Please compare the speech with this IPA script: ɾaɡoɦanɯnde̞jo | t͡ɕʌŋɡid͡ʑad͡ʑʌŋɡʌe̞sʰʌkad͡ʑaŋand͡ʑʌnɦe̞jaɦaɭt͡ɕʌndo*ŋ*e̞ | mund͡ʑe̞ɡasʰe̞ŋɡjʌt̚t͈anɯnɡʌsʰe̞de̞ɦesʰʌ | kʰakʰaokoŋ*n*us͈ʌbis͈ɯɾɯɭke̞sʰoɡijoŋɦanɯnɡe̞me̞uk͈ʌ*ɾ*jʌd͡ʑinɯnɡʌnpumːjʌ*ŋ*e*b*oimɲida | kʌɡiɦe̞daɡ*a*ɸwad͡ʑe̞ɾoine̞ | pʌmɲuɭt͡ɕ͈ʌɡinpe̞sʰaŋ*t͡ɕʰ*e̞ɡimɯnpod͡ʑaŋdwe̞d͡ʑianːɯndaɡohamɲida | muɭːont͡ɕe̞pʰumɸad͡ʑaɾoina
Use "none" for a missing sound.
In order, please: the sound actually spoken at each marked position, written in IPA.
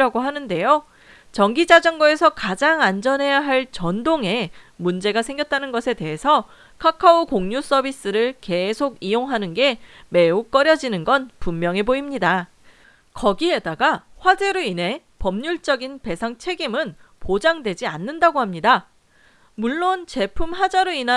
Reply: ŋ, ɲ, ɾ, ŋ, b, a, t͡ɕʰ

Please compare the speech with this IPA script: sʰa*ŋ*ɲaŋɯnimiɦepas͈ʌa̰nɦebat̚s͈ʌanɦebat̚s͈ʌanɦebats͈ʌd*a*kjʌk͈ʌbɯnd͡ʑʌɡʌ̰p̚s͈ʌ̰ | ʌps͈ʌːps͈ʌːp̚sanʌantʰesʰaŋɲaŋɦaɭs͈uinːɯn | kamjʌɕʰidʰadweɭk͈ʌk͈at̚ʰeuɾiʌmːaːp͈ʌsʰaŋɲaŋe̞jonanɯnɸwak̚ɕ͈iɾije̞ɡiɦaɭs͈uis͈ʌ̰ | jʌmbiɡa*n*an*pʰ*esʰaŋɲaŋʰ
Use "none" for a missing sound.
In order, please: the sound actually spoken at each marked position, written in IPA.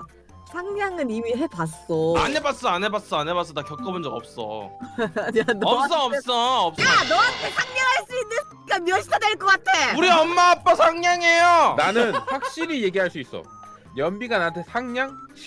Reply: ŋ, a, n, tʰ

